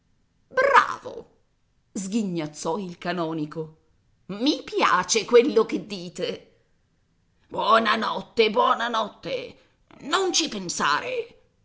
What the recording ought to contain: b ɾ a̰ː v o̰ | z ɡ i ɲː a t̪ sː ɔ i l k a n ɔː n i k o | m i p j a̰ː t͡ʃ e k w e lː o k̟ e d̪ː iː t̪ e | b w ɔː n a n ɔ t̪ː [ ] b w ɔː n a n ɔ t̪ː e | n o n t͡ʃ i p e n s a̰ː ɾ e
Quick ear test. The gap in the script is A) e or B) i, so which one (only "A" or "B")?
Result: A